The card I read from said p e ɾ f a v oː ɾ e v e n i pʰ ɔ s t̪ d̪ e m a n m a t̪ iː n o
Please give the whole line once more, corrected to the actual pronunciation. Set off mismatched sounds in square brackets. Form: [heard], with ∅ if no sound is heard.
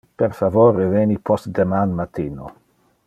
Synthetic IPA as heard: p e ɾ f a v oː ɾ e v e n i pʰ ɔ s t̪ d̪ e m a n m a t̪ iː n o